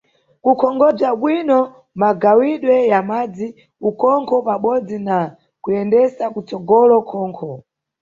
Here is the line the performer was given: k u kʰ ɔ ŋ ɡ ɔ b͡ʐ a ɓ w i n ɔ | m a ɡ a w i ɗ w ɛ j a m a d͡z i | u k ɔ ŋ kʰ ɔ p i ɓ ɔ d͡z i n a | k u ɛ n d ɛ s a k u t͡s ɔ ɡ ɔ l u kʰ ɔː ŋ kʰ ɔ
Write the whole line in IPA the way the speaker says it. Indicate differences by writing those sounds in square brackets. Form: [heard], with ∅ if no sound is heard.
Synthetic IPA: k u kʰ ɔ ŋ ɡ ɔ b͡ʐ a ɓ w i n ɔ | m a ɡ a w i ɗ w ɛ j a m a d͡z i | u k ɔ ŋ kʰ ɔ p [a] ɓ ɔ d͡z i n a | k u ɛ n d ɛ s a k u t͡s ɔ ɡ ɔ l [ɔ] kʰ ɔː ŋ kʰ ɔ